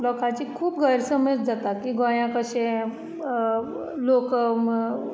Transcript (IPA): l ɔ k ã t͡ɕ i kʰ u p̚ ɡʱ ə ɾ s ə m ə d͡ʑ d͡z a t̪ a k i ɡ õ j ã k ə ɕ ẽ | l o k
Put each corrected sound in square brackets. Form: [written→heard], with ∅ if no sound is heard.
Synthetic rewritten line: l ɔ k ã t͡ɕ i kʰ [u→uː] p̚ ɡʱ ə ɾ s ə m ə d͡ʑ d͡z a t̪ a k i ɡ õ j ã k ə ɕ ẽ | l o k